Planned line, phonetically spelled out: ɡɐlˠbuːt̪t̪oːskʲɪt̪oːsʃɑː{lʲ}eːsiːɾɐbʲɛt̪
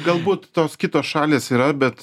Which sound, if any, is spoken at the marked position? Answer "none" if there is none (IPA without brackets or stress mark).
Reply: lʲ